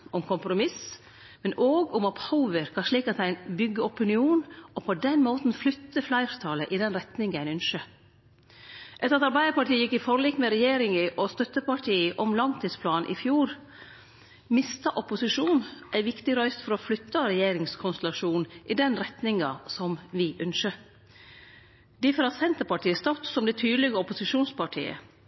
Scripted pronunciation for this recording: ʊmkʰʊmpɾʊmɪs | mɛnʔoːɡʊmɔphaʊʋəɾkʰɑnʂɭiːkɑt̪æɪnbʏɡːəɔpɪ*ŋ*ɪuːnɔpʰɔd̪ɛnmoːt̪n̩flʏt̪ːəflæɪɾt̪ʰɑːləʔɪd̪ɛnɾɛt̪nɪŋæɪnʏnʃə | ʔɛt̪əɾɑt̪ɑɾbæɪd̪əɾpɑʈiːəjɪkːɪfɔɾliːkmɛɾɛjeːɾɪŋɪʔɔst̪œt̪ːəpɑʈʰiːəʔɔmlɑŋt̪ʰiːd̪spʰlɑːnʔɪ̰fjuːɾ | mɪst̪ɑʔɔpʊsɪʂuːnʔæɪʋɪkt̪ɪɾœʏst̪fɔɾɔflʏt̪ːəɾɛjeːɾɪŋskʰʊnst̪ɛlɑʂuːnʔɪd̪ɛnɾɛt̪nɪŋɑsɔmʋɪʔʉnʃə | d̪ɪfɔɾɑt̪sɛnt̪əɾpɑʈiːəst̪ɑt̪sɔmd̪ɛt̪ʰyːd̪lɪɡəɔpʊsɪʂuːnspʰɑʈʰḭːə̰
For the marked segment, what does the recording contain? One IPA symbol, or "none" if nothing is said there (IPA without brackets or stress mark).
n